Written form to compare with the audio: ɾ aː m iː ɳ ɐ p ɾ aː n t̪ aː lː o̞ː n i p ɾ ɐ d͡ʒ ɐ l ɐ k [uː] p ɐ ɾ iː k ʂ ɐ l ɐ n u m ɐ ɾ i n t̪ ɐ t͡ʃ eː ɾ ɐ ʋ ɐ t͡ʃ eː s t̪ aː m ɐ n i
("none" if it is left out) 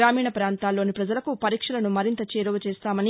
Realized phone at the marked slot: u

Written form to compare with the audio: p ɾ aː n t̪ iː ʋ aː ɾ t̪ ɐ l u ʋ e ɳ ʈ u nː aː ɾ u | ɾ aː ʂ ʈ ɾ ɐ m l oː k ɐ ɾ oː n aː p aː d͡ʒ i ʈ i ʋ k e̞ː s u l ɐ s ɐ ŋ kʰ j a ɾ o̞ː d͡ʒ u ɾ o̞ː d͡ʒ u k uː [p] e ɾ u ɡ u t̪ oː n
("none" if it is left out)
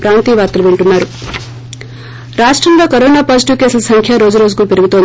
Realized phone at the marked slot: p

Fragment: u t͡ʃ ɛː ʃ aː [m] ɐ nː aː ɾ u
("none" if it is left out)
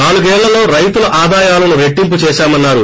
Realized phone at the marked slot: m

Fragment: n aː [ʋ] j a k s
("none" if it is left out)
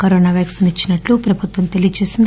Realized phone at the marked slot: ʋ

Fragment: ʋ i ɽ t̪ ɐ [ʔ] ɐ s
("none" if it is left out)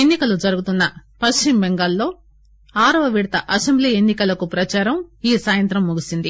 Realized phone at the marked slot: ʔ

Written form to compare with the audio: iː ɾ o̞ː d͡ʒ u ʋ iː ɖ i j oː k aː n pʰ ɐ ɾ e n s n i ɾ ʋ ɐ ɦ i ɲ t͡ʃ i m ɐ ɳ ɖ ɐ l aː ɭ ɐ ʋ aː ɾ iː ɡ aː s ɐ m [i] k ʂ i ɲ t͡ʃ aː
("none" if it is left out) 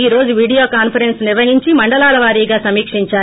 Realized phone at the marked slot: iː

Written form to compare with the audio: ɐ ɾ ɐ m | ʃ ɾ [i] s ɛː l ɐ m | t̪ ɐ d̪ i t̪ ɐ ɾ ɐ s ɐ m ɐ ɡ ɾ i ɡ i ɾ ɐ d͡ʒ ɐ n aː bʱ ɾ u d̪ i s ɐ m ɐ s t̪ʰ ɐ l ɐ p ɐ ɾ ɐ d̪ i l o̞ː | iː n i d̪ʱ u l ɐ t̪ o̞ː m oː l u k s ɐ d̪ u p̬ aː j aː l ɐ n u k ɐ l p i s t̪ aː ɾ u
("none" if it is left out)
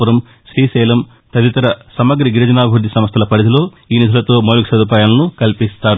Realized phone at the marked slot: iː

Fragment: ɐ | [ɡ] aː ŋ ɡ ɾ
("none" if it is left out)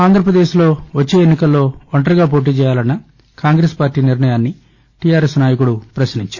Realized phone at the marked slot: k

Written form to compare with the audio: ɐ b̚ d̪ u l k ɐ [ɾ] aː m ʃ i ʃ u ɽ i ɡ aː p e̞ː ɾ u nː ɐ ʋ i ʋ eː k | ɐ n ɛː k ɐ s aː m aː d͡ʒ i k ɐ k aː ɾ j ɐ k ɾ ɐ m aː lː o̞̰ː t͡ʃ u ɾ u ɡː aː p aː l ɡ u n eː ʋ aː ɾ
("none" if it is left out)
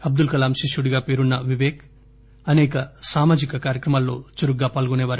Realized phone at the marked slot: l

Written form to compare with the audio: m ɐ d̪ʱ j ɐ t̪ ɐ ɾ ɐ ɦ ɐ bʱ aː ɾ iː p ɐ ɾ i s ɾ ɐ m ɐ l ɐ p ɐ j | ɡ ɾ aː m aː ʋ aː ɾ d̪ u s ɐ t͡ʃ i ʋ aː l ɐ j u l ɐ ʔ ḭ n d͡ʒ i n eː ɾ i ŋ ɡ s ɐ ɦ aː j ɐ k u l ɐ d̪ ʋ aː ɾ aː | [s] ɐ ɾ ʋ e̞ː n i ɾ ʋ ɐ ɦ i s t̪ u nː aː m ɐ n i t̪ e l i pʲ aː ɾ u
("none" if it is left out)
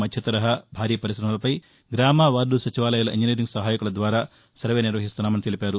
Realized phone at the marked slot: s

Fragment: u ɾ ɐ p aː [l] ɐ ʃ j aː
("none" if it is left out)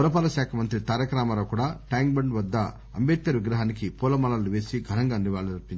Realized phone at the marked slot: l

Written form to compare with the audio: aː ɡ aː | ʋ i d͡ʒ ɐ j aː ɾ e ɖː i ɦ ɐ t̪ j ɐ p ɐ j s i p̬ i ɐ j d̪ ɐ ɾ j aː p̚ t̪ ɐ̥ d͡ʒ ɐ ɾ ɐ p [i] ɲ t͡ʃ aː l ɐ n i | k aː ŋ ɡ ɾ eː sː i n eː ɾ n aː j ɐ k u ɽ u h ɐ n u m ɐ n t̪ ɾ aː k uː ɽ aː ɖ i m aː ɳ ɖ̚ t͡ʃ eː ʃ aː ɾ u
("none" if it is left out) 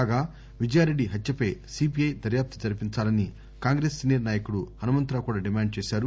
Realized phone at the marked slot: i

